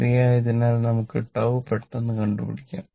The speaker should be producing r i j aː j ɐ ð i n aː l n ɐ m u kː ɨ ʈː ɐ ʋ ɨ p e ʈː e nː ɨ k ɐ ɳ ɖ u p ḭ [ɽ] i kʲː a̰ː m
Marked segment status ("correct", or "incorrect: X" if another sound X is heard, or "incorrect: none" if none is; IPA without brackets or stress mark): correct